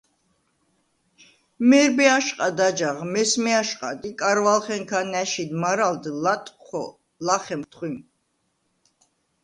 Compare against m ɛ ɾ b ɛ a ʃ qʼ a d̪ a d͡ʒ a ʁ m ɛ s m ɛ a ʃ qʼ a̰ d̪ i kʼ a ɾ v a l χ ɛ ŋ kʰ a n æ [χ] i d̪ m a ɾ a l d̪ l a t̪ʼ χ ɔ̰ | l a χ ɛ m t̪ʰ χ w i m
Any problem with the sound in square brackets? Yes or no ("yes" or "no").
yes